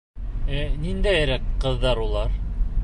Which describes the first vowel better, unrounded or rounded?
unrounded